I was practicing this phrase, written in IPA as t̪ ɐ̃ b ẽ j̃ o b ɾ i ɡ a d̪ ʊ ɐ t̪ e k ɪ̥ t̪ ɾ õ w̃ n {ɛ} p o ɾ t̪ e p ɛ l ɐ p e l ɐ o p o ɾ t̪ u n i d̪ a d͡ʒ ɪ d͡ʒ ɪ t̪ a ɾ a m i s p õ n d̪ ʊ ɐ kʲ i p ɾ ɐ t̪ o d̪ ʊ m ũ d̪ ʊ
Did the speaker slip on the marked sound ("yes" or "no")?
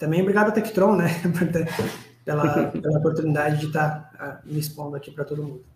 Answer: no